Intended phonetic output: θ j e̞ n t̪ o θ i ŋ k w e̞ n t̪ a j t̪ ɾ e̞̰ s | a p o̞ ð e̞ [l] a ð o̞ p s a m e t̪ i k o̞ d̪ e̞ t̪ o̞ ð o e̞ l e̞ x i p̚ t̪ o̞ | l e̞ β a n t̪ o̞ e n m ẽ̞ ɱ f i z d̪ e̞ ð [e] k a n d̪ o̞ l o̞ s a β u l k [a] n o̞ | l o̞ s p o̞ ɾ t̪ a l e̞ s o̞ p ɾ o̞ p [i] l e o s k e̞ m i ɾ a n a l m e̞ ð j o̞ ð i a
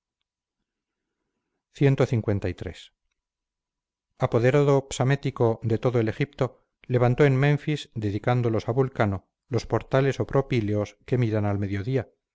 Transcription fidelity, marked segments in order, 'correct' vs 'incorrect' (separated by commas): incorrect, incorrect, correct, correct